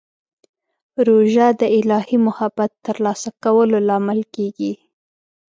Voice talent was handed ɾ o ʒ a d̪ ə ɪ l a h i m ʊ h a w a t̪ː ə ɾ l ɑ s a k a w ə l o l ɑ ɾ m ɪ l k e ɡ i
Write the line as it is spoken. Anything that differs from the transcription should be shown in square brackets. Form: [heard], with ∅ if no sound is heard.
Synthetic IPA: ɾ o ʒ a d̪ ə ɪ l [ɑ] h i m ʊ h a [b] a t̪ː ə ɾ l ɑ s a k a w ə l o l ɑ [∅] m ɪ l k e ɡ i